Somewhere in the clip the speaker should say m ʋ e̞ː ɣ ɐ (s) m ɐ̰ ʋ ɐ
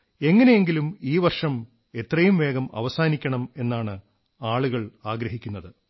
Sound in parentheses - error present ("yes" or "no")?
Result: yes